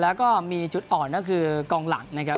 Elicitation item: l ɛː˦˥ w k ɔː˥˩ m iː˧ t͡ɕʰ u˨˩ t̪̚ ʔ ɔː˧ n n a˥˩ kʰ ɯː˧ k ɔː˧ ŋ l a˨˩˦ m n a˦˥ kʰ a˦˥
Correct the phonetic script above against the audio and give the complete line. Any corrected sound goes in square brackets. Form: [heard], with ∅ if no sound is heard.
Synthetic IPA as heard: l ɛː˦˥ w k ɔː˥˩ m iː˧ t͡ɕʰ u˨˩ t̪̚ ʔ [ɔː˨˩] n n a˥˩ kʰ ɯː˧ k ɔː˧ ŋ l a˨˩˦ [ŋ] n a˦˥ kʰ a˦˥